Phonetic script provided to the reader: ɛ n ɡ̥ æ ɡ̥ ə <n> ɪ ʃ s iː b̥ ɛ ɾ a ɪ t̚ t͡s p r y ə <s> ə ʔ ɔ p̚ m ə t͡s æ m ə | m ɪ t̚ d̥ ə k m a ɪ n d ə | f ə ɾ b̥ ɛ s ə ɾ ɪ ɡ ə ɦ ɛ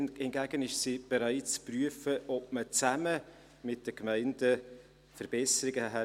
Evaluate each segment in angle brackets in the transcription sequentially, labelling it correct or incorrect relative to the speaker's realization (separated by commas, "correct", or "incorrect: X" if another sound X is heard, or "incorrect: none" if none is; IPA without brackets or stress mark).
correct, incorrect: f